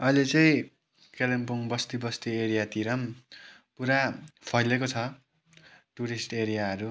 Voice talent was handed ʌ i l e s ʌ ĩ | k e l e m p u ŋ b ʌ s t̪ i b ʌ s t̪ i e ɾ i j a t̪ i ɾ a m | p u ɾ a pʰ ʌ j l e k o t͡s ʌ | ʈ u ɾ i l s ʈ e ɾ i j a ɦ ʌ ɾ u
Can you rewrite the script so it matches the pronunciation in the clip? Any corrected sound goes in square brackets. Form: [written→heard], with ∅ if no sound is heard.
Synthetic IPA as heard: ʌ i l e [s→t͡s] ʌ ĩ | k e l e m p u ŋ b ʌ s t̪ i b ʌ s t̪ i e ɾ i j a t̪ i ɾ [a→ʌ] m | p u ɾ a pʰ ʌ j l e k o [t͡s→t͡sʰ] ʌ | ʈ u ɾ i [l→∅] s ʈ e ɾ i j a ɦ ʌ ɾ u